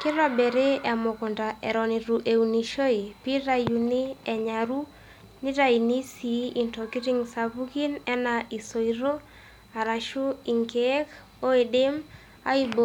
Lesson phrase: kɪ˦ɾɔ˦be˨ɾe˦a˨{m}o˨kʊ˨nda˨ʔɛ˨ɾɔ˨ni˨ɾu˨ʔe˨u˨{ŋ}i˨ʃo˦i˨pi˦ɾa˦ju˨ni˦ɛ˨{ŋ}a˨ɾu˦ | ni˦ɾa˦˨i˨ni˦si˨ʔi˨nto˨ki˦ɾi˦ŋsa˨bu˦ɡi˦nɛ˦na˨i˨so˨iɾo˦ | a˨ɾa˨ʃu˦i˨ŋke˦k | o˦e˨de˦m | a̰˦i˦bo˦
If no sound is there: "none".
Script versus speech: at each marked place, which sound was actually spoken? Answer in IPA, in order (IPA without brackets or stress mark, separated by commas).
m, n, ɲ